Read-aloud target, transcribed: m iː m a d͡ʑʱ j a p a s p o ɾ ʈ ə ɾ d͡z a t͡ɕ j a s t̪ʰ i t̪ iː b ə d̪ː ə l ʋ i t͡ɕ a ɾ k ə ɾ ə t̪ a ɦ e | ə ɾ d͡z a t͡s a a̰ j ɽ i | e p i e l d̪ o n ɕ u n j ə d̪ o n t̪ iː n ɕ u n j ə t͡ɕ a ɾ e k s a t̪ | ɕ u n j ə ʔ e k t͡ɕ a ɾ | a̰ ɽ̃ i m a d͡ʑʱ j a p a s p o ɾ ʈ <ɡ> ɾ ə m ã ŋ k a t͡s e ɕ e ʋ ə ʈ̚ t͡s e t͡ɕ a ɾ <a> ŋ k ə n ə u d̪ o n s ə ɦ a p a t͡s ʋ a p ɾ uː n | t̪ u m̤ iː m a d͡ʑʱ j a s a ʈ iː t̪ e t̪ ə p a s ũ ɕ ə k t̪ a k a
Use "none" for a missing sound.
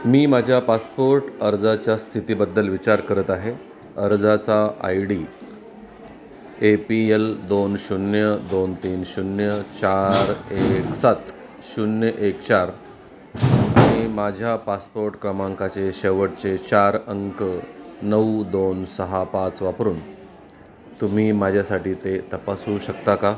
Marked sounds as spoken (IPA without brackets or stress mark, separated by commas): k, ə